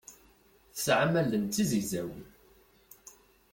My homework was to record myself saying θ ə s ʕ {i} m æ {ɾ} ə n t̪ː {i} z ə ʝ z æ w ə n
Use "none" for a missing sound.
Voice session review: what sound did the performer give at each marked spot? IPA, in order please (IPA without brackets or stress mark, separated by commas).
a, l, i